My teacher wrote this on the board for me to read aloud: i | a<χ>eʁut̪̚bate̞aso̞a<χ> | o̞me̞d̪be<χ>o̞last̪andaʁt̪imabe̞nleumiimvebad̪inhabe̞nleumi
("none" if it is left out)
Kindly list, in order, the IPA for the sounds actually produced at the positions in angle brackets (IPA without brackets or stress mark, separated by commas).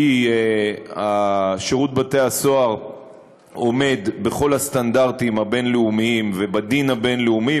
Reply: ʃ, ʁ, χ